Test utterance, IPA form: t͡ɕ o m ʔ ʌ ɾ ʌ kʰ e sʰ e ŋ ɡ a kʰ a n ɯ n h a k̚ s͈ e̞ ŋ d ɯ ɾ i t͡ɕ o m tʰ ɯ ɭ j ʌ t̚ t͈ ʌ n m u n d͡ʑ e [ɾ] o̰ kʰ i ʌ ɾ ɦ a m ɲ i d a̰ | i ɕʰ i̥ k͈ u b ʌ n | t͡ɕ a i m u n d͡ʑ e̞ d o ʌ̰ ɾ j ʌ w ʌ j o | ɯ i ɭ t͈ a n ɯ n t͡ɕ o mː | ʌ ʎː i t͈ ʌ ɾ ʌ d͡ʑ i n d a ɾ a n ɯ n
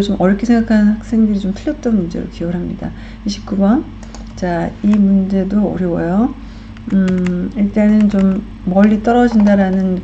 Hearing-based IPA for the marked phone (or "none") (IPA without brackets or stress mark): ɾ